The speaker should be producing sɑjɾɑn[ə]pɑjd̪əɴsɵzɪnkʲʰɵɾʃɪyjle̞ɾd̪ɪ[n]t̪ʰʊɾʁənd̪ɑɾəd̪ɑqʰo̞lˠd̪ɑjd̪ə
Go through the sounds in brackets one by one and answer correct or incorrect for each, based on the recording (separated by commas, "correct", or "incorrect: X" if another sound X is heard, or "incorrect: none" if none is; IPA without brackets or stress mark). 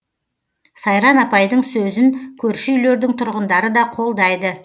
incorrect: ɑ, incorrect: ŋ